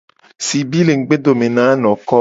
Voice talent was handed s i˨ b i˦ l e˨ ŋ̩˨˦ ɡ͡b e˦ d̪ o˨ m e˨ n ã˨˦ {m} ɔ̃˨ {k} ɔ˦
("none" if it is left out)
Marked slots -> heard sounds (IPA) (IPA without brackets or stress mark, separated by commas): n, k